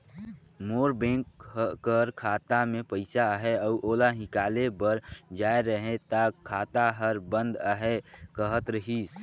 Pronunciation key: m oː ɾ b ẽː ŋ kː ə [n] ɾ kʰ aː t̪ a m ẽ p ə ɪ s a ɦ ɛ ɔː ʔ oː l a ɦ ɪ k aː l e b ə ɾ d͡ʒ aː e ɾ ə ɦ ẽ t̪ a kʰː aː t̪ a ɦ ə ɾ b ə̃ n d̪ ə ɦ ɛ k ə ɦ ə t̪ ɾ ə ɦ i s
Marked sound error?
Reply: yes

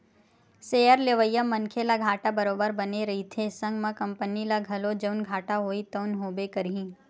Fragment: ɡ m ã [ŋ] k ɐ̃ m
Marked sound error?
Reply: yes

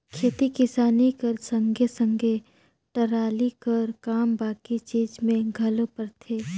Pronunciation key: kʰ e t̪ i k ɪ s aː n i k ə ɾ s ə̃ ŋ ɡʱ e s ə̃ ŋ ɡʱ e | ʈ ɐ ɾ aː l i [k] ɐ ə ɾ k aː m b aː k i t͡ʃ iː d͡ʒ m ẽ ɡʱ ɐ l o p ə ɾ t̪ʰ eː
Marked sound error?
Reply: no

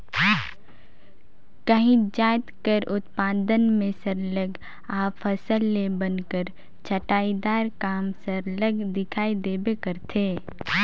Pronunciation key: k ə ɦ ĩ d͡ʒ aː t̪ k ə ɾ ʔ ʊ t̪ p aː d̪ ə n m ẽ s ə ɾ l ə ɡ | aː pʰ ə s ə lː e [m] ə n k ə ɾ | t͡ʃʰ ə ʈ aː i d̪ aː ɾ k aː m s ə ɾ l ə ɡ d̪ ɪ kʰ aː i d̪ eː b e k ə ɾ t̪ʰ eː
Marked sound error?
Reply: yes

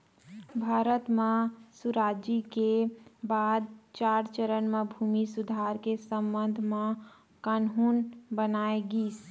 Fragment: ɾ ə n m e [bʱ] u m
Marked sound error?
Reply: no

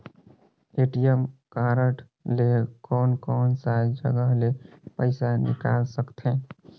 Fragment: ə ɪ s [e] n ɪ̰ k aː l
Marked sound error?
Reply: yes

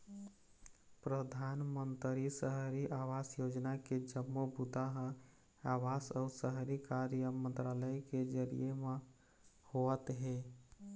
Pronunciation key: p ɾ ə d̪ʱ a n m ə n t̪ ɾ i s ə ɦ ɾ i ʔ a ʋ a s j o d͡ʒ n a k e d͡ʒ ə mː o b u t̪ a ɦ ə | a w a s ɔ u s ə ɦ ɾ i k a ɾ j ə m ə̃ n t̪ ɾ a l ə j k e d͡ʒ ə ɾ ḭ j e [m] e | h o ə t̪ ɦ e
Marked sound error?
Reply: no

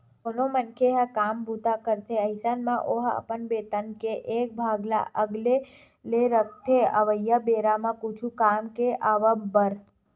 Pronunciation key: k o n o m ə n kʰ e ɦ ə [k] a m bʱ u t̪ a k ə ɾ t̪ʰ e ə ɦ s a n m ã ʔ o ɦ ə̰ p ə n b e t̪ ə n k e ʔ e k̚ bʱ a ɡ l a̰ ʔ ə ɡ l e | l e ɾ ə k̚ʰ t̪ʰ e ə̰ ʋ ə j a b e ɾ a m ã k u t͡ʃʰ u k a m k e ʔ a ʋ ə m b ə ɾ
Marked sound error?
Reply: no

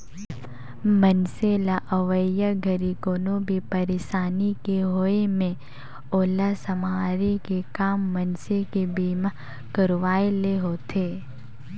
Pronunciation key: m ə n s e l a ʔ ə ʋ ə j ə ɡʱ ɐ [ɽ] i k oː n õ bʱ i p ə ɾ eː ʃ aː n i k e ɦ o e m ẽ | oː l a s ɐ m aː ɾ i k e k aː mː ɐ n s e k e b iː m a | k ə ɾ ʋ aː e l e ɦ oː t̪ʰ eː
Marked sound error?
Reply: yes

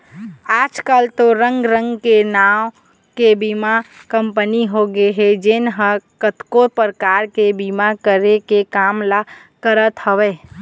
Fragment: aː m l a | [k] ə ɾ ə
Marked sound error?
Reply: no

